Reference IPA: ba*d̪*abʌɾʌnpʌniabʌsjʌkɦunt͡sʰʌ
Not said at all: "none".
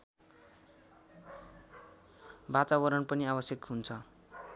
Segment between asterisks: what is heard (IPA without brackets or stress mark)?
t̪